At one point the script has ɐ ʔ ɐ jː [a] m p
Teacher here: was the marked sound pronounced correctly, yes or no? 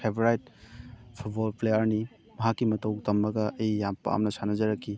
yes